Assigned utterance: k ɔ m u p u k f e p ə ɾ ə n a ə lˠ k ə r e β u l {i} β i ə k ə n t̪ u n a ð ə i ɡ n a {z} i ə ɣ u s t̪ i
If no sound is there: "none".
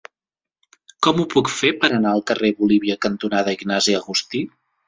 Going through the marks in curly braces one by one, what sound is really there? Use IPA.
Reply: i, z

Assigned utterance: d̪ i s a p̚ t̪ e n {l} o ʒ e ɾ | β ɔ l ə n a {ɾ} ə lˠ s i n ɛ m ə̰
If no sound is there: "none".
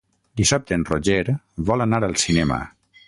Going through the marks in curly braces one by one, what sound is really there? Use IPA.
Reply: r, ɾ

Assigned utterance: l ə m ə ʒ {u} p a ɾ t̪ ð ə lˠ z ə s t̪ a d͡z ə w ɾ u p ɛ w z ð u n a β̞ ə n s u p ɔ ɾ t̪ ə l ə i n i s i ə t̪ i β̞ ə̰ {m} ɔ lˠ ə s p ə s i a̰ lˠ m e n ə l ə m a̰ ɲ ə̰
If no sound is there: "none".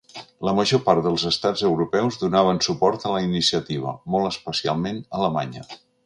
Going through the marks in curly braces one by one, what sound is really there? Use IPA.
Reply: o, m

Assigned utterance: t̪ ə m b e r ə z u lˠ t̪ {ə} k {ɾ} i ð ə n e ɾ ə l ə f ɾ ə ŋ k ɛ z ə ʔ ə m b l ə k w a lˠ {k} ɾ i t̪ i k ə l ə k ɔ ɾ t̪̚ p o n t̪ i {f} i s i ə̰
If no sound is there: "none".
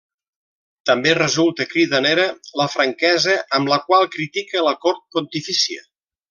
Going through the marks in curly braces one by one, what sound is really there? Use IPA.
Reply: ə, ɾ, k, f

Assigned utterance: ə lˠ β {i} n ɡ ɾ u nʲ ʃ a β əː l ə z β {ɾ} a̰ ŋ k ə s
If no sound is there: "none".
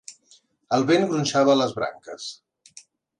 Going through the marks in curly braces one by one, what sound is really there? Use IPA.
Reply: e, ɾ

